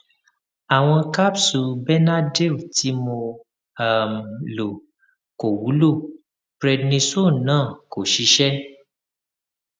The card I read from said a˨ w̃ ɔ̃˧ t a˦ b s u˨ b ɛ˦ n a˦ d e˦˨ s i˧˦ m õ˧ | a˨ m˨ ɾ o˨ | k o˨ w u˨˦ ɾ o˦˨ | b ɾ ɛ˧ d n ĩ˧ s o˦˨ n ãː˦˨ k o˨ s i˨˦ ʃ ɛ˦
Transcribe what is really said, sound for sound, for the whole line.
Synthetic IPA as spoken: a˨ w̃ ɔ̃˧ k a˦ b s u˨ b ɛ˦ n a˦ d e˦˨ t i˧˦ m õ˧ | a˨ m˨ l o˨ | k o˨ w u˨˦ l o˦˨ | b ɾ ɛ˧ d n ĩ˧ s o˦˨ n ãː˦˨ k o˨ ʃ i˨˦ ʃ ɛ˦